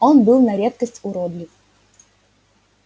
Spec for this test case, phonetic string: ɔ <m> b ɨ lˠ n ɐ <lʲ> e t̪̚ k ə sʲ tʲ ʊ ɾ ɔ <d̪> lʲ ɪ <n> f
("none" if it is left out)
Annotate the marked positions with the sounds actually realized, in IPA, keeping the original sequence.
n, ɾʲ, d̪, none

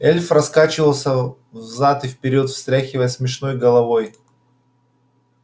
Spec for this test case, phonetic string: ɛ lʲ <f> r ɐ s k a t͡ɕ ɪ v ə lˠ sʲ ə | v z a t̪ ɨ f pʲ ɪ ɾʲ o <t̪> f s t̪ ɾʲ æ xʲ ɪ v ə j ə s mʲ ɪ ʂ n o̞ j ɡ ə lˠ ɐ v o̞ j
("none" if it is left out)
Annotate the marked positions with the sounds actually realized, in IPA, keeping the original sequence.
f, t̪

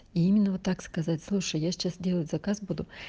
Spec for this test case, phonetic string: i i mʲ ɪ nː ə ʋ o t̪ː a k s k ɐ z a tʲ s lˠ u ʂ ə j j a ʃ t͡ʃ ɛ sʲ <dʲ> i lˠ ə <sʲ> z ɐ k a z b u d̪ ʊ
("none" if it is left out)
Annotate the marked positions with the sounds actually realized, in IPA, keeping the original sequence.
dʲ, tʲ

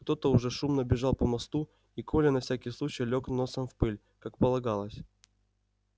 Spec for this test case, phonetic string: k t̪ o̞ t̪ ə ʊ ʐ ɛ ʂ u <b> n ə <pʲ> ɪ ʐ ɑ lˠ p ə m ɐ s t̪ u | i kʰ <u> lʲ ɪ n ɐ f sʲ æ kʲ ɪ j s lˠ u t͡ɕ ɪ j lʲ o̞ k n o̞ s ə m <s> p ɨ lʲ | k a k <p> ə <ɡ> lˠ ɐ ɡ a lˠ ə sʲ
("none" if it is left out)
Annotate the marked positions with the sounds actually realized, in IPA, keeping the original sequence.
m, bʲ, o, f, p, none

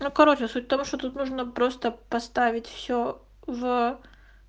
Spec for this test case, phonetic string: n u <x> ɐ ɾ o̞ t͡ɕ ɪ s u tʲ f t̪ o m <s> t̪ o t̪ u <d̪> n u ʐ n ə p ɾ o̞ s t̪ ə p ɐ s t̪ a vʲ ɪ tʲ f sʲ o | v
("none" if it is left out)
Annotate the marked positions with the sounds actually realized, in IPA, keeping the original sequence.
k, ʂ, t̪

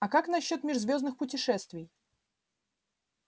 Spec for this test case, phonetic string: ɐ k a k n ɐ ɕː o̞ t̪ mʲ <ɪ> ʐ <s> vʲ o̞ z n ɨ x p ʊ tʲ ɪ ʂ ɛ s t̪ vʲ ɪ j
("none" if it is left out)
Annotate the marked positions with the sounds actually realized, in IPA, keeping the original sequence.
ɪ, z

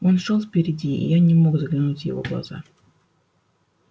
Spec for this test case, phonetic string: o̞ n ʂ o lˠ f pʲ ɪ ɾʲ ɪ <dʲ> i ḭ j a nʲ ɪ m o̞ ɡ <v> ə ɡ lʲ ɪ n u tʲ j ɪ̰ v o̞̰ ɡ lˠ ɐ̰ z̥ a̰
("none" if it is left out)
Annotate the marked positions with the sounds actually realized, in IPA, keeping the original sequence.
dʲ, z

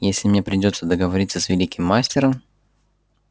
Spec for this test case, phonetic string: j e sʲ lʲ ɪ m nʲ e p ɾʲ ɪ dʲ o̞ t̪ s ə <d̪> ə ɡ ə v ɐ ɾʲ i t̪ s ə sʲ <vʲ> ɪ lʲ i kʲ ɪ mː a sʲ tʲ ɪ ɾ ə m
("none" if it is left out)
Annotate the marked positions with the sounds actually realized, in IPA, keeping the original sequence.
d̪, vʲ

